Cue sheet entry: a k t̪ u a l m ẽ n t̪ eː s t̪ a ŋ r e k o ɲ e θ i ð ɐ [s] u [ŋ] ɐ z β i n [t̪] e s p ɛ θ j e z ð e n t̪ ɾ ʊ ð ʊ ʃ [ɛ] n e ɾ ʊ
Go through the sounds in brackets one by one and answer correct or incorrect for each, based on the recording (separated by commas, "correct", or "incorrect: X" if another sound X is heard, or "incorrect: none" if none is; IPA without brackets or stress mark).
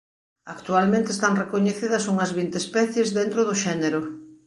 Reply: correct, correct, correct, correct